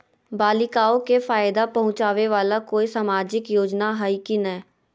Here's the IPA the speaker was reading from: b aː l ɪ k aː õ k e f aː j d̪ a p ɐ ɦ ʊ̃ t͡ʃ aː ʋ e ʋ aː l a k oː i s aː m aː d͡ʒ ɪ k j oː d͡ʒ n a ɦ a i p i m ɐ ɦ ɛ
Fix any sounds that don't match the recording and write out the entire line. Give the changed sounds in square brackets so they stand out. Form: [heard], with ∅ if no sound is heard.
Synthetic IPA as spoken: b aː l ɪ k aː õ k e f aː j d̪ a p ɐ ɦ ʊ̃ t͡ʃ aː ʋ e ʋ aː l a k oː i s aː m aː d͡ʒ ɪ k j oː d͡ʒ n a ɦ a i [k] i [n] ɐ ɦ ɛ